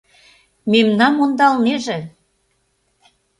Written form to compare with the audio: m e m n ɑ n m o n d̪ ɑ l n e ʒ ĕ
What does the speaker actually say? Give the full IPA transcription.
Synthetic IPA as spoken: m e m n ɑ n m o n d̪ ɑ l n e ʒ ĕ